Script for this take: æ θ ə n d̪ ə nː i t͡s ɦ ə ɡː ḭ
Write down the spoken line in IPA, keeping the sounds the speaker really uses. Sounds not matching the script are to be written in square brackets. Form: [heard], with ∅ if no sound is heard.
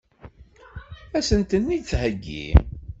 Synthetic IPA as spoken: æ [s] ə n [t̪] ə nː i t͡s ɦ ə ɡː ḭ